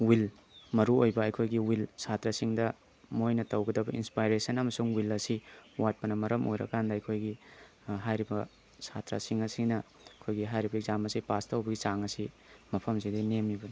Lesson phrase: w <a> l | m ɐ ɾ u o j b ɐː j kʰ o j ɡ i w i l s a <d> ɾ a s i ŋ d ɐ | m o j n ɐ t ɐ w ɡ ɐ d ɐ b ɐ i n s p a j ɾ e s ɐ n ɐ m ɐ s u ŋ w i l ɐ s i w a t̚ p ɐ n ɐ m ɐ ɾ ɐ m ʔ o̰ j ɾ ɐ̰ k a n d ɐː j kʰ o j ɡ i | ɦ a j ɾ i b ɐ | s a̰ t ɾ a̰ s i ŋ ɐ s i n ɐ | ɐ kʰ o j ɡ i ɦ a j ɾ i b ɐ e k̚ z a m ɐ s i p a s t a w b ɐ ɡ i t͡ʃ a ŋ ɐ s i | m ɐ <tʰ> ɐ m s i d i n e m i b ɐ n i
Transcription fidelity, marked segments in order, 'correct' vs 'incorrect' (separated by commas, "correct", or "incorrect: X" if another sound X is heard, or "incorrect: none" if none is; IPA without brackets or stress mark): incorrect: i, incorrect: t, incorrect: pʰ